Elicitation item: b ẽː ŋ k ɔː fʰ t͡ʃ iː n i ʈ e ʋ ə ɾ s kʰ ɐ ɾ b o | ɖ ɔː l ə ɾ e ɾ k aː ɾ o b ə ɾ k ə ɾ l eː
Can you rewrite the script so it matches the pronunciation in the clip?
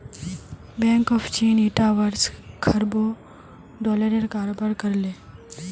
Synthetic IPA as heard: b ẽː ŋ k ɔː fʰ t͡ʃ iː n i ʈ a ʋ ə ɾ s kʰ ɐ ɾ b o | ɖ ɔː l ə ɾ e ɾ k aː ɾ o b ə ɾ k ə ɾ l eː